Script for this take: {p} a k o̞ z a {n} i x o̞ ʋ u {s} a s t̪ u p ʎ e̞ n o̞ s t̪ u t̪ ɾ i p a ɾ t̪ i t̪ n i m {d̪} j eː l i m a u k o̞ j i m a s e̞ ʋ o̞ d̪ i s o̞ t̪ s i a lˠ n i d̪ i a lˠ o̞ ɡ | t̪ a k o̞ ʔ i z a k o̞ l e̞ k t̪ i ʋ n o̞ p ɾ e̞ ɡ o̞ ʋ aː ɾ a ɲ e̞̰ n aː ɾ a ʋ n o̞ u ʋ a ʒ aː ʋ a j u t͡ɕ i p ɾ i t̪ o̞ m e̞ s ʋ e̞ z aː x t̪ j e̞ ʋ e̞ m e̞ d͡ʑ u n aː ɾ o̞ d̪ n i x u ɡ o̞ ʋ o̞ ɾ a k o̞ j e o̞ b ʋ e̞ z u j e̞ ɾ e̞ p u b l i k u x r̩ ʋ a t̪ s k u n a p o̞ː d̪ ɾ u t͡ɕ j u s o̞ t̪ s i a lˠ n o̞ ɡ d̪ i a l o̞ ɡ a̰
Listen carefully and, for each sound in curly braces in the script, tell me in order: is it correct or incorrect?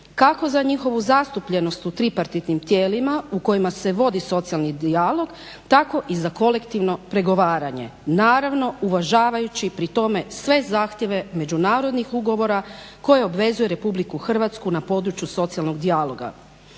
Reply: incorrect: k, incorrect: ɲ, incorrect: z, incorrect: t̪

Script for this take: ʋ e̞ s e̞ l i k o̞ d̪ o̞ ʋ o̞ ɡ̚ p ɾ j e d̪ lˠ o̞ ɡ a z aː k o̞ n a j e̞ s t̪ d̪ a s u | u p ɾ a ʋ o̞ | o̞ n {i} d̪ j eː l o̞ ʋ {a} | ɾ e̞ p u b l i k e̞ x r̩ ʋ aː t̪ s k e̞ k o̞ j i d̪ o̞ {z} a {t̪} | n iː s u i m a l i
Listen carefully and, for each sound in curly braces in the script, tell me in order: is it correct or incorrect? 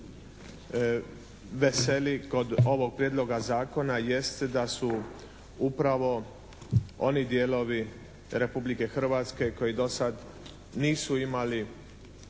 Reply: correct, incorrect: i, incorrect: s, incorrect: d̪

